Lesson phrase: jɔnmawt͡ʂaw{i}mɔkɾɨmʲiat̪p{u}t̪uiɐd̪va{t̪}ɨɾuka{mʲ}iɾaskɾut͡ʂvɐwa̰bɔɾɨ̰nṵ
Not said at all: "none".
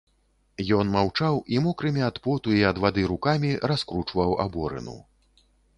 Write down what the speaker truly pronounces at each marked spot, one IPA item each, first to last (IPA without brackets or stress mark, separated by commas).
i, ɔ, d̪, mʲ